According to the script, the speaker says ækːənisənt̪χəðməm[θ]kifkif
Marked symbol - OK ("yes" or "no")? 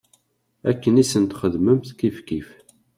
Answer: yes